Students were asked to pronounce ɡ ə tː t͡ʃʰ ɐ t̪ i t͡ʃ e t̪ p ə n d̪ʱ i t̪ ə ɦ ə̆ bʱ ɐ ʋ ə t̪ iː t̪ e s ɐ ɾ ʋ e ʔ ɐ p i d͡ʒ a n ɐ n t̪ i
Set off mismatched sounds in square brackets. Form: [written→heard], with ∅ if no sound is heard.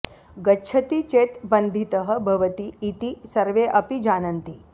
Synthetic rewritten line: ɡ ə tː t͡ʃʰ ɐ t̪ i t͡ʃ e t̪ [p→b] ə n d̪ʱ i t̪ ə ɦ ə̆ bʱ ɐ ʋ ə t̪ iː t̪ [e→i] s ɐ ɾ ʋ e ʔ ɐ p i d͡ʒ a n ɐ n t̪ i

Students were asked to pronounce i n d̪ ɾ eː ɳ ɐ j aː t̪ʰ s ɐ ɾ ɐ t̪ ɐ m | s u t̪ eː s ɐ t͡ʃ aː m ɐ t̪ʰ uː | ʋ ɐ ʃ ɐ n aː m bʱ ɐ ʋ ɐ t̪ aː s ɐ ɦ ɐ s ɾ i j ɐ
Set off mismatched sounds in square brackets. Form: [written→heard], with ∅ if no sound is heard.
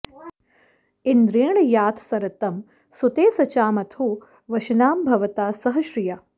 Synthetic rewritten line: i n d̪ ɾ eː ɳ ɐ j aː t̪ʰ s ɐ ɾ ɐ t̪ ɐ m | s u t̪ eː s ɐ t͡ʃ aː m ɐ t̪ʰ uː | ʋ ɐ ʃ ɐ n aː m bʱ ɐ ʋ ɐ t̪ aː s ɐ ɦ ɐ [s→ʃ] ɾ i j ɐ

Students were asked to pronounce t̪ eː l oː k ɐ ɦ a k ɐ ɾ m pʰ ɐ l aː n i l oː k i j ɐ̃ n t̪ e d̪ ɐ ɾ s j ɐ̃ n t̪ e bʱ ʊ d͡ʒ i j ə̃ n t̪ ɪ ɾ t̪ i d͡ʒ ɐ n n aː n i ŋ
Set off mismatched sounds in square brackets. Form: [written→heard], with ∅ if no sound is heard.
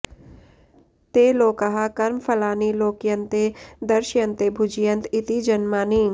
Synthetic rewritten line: t̪ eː l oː k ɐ ɦ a k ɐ ɾ m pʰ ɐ l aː n i l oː k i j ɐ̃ n t̪ e d̪ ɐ ɾ [s→ʃ] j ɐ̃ n t̪ e bʱ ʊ d͡ʒ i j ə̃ n t̪ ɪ [ɾ→∅] t̪ i d͡ʒ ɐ n [n→m] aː n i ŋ

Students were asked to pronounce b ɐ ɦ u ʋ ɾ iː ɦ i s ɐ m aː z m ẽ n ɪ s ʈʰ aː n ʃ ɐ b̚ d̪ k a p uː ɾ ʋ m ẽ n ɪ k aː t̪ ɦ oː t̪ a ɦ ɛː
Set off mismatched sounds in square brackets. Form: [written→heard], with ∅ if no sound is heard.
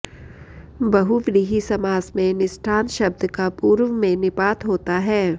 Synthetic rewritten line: b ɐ ɦ u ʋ ɾ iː ɦ i s ɐ m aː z m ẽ n ɪ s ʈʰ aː n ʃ ɐ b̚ d̪ k a p uː ɾ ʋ m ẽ n ɪ [k→p] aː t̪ ɦ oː t̪ a ɦ ɛː

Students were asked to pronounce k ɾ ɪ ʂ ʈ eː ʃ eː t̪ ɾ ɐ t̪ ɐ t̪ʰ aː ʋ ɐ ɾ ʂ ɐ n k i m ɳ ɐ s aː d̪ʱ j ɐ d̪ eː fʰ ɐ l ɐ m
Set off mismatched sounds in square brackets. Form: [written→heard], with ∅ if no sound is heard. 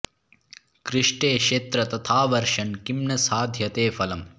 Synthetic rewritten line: k ɾ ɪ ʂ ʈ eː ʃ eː t̪ ɾ ɐ t̪ ɐ t̪ʰ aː ʋ ɐ ɾ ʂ ɐ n k i m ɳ ɐ s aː d̪ʱ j ɐ [d̪→t̪] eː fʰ ɐ l ɐ m

